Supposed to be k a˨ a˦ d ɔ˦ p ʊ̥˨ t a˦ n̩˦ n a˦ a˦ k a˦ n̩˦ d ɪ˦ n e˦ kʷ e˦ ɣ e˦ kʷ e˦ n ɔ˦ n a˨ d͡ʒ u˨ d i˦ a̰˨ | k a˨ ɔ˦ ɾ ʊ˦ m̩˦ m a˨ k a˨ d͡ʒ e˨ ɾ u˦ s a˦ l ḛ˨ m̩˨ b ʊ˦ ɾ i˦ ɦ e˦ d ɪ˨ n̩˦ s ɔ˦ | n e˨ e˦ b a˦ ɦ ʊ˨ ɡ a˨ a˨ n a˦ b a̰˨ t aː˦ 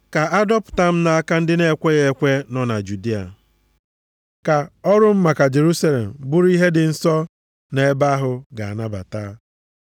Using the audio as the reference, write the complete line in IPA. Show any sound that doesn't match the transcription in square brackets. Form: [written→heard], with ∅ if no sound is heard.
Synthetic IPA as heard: k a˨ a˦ d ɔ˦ p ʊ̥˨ t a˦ [n̩˦→m̩˦] n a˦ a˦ k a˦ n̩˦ d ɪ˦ n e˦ kʷ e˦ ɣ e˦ kʷ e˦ n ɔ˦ n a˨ d͡ʒ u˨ d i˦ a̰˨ | k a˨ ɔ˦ ɾ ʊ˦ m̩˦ m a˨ k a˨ d͡ʒ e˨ ɾ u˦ s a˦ l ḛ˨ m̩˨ b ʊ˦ ɾ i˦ ɦ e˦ d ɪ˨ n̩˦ s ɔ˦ | n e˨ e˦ b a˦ ɦ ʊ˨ ɡ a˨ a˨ n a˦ b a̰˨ t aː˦